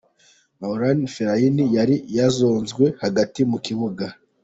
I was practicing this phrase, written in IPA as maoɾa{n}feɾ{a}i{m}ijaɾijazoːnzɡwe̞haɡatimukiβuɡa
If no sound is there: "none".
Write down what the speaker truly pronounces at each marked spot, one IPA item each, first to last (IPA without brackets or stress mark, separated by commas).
n, a, n